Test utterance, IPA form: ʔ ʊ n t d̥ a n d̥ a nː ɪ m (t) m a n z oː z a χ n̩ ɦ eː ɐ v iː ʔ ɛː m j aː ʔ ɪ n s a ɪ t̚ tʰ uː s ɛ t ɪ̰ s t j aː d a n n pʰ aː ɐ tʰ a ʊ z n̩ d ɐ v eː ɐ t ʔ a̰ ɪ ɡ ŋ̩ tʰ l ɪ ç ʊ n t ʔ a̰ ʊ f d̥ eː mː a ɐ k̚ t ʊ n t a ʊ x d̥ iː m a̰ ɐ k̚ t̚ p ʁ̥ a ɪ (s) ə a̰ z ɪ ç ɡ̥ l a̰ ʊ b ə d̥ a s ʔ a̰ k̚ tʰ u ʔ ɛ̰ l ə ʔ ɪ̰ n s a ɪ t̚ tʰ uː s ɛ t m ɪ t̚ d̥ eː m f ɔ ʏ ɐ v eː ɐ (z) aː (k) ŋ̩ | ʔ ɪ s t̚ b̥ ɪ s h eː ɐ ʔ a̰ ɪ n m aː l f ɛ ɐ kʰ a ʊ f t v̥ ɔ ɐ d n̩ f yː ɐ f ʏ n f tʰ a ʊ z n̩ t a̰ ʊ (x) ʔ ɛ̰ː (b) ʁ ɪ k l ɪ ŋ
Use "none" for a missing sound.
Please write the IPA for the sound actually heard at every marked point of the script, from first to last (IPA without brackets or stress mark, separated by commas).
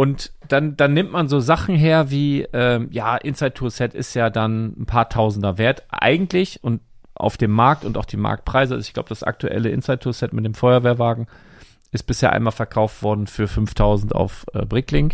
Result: t, z, v, ɡ, f, b